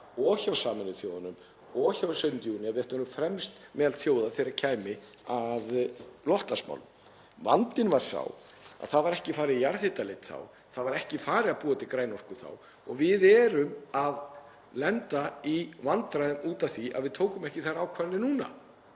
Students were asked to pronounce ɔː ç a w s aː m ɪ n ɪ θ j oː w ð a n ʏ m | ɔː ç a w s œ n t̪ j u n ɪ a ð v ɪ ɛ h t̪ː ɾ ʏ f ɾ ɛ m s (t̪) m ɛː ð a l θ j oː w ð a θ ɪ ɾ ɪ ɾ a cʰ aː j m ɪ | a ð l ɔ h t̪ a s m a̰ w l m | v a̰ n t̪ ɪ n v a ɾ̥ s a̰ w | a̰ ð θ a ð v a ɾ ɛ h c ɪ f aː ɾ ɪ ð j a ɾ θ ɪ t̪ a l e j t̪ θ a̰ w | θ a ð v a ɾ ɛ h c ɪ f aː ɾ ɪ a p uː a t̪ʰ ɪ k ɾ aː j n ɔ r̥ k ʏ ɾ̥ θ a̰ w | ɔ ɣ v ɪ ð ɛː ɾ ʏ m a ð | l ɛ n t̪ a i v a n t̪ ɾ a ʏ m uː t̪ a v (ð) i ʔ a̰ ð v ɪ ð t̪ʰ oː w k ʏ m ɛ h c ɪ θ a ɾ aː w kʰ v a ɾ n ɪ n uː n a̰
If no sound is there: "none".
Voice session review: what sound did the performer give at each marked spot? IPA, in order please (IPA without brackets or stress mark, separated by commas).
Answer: t̪, θ